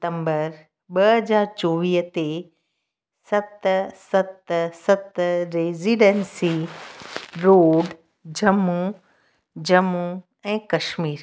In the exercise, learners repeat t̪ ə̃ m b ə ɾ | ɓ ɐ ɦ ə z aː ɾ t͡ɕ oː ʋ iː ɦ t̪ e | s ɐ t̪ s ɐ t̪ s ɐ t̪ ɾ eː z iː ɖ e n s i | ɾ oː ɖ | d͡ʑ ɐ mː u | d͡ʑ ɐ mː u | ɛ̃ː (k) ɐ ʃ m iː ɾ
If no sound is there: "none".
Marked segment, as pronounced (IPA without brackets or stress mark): k